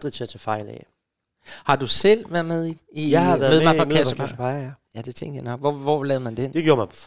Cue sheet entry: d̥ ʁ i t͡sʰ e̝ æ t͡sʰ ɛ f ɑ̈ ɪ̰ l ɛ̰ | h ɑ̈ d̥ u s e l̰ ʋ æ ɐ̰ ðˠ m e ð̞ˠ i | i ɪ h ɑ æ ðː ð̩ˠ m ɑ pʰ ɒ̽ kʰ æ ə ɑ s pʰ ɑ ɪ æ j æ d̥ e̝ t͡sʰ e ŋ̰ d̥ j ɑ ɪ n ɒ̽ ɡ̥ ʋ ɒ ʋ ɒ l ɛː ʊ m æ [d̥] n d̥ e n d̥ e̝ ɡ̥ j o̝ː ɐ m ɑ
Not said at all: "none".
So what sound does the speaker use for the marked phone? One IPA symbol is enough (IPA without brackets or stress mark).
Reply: none